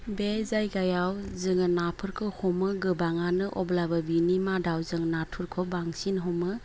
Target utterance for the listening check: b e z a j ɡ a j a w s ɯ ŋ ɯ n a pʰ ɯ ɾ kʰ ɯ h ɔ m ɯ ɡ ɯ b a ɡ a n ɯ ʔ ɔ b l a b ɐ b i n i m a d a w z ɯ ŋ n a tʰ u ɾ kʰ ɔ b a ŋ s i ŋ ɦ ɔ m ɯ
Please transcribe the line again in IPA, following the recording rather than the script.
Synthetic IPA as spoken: b e z a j ɡ a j a w z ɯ ŋ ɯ n a pʰ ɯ ɾ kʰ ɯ h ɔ m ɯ ɡ ɯ b a ŋ a n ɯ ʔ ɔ b l a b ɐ b i n i m a d a w z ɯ ŋ n a tʰ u ɾ kʰ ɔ b a ŋ s i n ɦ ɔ m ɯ